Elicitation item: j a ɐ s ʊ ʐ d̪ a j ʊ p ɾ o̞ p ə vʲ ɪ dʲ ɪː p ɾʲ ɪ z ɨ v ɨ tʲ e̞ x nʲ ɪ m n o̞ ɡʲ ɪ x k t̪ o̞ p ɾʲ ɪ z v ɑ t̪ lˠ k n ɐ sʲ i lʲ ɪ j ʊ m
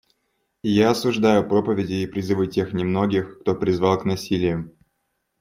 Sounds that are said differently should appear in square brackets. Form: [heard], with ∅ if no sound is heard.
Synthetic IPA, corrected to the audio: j a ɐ s ʊ ʐ d̪ a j ʊ p ɾ o̞ p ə vʲ ɪ dʲ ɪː p ɾʲ ɪ z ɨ v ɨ tʲ e̞ x nʲ ɪ m n o̞ ɡʲ ɪ x k t̪ o̞ p ɾʲ ɪ z v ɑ [∅] lˠ k n ɐ sʲ i lʲ ɪ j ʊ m